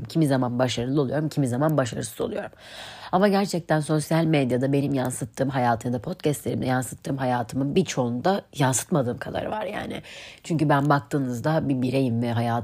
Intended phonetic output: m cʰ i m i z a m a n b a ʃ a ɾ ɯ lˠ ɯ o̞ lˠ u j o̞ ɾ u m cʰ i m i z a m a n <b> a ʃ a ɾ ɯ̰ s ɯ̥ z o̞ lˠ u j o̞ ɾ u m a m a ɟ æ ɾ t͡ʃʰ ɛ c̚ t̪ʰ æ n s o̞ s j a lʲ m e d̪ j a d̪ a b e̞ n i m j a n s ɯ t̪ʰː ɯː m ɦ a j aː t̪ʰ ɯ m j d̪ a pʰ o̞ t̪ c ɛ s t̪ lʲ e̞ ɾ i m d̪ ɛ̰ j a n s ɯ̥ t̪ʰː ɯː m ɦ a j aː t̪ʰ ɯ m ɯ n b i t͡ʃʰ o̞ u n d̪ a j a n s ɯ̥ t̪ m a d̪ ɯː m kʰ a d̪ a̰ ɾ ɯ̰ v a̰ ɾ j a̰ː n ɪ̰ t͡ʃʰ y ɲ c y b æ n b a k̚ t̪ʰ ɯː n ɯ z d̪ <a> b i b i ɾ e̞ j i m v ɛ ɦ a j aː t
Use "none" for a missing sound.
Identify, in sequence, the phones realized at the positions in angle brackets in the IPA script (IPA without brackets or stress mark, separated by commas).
b, a